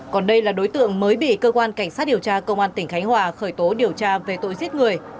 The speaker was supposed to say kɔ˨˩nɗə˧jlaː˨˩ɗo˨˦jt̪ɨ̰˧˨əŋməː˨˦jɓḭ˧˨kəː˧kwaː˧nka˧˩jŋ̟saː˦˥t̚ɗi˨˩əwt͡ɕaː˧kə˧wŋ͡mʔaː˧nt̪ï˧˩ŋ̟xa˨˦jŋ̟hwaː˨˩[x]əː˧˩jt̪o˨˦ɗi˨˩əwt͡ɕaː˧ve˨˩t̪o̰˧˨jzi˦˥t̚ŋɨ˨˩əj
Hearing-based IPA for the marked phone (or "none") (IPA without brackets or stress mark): x